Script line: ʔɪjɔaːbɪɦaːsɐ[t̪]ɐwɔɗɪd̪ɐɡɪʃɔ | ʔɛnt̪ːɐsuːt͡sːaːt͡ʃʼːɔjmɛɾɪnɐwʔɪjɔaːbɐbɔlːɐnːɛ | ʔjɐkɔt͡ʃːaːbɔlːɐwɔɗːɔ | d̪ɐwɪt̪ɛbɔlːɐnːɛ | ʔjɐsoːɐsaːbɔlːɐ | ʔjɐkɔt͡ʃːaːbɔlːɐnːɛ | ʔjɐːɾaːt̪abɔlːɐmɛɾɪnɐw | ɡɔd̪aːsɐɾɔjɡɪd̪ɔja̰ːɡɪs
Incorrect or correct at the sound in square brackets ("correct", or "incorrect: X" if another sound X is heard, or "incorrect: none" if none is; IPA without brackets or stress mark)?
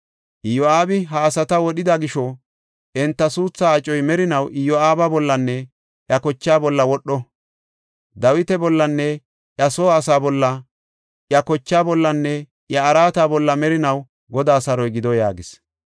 correct